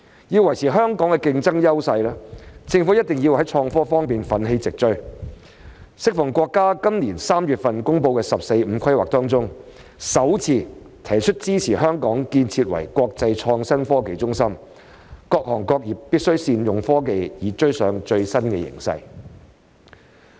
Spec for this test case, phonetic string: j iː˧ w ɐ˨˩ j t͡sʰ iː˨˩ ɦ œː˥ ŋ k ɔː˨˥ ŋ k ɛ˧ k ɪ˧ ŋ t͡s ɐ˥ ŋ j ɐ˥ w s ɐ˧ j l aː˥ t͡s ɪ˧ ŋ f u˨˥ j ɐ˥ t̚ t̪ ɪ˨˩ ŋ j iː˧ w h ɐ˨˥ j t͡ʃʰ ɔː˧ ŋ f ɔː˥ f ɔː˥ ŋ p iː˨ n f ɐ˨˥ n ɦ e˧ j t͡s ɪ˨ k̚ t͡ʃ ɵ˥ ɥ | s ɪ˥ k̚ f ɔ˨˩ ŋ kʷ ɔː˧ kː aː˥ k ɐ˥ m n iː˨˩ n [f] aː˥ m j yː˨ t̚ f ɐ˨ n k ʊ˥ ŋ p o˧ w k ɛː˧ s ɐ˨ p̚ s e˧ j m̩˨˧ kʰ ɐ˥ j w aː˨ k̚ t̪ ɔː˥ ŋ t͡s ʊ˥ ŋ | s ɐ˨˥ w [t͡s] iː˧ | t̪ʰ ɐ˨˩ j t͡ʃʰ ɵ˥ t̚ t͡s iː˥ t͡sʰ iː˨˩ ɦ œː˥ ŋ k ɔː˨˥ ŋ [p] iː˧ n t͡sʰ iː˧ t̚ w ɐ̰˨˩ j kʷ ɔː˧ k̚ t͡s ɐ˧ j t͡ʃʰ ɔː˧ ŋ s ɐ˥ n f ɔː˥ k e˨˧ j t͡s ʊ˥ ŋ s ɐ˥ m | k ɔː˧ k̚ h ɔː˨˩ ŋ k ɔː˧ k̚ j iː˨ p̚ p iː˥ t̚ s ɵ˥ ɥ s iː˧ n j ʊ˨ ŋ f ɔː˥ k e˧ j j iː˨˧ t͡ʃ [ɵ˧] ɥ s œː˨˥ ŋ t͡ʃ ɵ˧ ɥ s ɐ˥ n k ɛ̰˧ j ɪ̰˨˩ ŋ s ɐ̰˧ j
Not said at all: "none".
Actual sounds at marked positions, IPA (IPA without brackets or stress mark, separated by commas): s, t͡sʰ, k, ɵ˥